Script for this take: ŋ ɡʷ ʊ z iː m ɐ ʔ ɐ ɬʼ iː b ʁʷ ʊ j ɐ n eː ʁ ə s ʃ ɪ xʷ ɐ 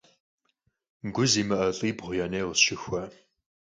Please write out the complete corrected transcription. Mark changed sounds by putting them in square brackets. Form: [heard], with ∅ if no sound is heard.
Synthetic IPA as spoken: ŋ ɡʷ ʊ z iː m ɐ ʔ ɐ ɬʼ iː b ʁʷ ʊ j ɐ n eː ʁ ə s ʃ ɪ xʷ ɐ